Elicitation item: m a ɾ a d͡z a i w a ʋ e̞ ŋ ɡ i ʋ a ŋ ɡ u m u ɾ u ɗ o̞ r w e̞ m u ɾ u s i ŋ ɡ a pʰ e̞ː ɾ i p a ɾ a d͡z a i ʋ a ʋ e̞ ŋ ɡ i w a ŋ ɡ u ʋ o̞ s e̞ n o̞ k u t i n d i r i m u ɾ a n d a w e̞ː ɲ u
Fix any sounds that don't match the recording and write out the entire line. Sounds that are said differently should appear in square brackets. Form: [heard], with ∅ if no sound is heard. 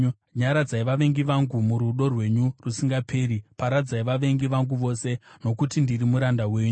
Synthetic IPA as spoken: [ɲ] a ɾ a d͡z a i [ʋ] a ʋ e̞ ŋ ɡ i ʋ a ŋ ɡ u m u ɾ u ɗ o̞ r w e̞ [ɲ] u [r] u s i ŋ ɡ a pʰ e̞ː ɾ i p a ɾ a d͡z a i ʋ a ʋ e̞ ŋ ɡ i [ʋ] a ŋ ɡ u ʋ o̞ s e̞ n o̞ k u t i n d i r i m u ɾ a n d a w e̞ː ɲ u